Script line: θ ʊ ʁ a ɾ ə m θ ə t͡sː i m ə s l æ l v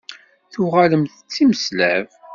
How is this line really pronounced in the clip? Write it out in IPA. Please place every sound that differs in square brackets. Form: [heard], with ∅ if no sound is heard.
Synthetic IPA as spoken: θ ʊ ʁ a [l] ə m θ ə t͡sː i m ə s l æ [∅] v

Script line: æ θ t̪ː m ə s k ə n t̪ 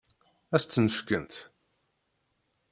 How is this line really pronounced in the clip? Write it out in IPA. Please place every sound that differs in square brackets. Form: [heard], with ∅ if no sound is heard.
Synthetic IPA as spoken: æ [s] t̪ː [n] ə [f] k ə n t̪

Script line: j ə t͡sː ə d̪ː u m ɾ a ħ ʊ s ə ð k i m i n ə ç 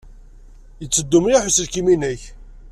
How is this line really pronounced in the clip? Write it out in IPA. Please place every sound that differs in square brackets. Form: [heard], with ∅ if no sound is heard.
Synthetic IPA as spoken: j ə t͡sː ə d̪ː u m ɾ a ħ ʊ s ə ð k i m i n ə ç

